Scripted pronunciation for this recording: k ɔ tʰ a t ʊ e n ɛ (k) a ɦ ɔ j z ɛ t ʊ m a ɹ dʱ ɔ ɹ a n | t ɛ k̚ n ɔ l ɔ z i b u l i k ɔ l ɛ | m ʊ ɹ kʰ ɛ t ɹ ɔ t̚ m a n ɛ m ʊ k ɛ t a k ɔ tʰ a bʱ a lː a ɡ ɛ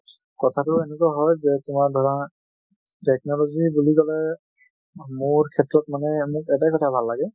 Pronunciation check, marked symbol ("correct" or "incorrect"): correct